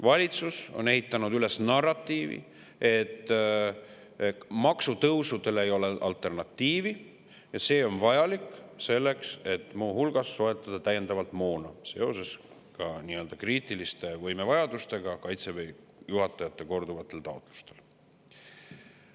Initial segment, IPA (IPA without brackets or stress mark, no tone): v